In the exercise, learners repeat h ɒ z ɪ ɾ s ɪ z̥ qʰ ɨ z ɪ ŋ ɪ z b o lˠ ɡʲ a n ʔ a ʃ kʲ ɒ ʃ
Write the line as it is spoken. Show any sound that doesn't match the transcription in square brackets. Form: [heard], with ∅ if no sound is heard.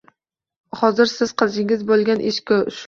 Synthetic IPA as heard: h ɒ z ɪ ɾ s ɪ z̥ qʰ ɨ z ɪ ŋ ɪ z b o lˠ ɡʲ a n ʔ [e] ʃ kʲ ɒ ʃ

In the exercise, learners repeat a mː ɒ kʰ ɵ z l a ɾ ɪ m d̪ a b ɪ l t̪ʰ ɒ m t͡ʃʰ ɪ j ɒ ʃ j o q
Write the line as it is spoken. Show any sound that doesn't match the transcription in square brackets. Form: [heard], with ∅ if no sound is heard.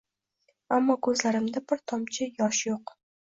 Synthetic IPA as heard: a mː ɒ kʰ ɵ z l a ɾ ɪ m d̪ a b ɪ [ɾ] t̪ʰ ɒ m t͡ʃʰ ɪ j ɒ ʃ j o q

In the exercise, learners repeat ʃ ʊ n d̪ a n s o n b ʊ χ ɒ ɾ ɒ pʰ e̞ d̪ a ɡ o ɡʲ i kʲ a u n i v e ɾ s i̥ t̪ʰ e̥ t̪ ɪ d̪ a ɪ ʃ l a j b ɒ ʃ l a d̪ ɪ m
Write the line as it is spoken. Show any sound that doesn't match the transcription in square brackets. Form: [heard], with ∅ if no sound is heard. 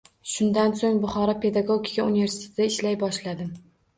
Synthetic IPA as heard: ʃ ʊ n d̪ a n s o [ŋ] b ʊ χ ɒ ɾ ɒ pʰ e̞ d̪ a ɡ o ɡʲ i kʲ a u n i v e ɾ s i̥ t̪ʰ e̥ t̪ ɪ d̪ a ɪ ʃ l a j b ɒ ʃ l a d̪ ɪ m

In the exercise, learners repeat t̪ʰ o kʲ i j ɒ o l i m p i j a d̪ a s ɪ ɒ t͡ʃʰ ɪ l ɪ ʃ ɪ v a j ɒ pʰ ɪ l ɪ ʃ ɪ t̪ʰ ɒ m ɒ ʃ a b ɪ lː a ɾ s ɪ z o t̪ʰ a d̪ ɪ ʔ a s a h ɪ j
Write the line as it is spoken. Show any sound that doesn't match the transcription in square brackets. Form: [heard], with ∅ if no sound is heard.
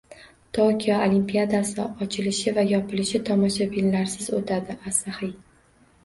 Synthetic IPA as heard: t̪ʰ o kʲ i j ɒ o l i m p i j a d̪ a s ɪ ɒ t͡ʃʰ ɪ l ɪ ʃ ɪ v a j ɒ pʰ ɪ l ɪ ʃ ɪ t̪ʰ ɒ m ɒ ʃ a b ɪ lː a ɾ s ɪ z o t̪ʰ a d̪ ɪ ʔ a s a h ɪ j

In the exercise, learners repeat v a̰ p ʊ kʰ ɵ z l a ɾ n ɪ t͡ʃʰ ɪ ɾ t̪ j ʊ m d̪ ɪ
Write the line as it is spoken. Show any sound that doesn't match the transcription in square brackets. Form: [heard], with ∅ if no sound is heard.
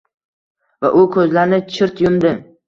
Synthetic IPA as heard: v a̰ [ʔ] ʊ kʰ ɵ z l a ɾ n ɪ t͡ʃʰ ɪ ɾ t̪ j ʊ m d̪ ɪ

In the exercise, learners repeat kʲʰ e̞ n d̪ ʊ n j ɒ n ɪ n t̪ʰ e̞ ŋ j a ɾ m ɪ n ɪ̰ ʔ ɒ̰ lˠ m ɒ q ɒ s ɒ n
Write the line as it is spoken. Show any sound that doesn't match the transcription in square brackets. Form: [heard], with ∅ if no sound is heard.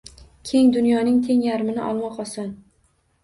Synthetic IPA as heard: kʲʰ e̞ [ŋ] d̪ ʊ n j ɒ n ɪ [ŋ] t̪ʰ e̞ ŋ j a ɾ m ɪ n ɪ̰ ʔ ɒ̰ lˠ m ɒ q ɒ s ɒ n

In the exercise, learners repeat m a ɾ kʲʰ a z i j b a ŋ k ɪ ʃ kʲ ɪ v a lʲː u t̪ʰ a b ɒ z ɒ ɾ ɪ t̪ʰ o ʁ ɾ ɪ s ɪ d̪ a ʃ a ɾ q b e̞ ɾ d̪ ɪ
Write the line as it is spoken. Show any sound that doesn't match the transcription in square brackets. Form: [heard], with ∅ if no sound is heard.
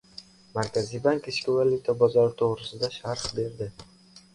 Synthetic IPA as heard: m a ɾ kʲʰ a z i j b a ŋ k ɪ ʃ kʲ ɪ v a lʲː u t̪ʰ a b ɒ z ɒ ɾ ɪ t̪ʰ o ʁ ɾ ɪ s ɪ d̪ a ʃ a ɾ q b e̞ ɾ d̪ ɪ

